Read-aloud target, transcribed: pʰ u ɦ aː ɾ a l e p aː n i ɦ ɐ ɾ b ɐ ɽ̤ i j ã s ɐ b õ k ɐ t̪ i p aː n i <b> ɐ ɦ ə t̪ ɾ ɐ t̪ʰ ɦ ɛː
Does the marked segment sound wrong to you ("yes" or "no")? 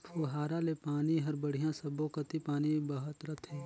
no